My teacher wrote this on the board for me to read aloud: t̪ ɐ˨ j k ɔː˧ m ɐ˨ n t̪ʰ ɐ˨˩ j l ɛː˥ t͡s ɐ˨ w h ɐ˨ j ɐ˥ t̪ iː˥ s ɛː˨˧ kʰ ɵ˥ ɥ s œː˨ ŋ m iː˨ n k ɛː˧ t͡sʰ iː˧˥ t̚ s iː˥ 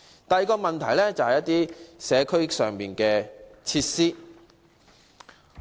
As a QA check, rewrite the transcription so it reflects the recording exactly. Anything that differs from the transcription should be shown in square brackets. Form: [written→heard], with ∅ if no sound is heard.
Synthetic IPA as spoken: t̪ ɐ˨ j k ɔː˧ m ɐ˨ n t̪ʰ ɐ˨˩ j l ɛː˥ t͡s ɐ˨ w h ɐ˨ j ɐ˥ t̪ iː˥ s ɛː˨˧ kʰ ɵ˥ ɥ s œː˨ ŋ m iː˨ n k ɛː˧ t͡sʰ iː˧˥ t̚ s iː˥